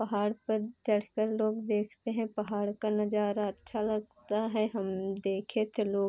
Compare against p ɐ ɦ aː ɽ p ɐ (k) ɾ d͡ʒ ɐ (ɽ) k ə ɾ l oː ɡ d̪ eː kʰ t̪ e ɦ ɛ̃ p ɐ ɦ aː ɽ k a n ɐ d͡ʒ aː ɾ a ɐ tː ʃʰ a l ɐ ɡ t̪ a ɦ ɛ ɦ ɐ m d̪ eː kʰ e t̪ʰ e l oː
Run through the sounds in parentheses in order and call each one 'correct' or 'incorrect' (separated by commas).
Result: incorrect, correct